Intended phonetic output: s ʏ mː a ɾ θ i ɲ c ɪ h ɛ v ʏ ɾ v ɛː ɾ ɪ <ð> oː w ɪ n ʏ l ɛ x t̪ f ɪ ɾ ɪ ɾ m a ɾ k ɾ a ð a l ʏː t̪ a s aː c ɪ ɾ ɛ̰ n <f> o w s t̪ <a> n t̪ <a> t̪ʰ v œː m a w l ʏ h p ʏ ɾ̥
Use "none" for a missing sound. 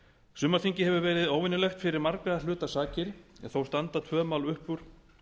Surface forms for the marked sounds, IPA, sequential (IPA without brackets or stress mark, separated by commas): ð, θ, a, a